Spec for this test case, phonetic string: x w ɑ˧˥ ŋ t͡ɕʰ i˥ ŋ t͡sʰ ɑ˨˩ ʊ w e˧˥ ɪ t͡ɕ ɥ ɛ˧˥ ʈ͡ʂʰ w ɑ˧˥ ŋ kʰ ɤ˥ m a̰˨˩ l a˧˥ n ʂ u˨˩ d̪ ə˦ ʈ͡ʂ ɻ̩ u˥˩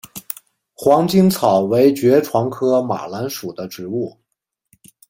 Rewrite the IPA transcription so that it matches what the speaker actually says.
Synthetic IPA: x w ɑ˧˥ ŋ t͡ɕ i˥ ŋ t͡sʰ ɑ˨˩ ʊ w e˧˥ ɪ t͡ɕ ɥ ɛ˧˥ ʈ͡ʂʰ w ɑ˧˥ ŋ kʰ ɤ˥ m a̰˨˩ l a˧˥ n ʂ u˨˩ d̪ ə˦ ʈ͡ʂ ɻ̩ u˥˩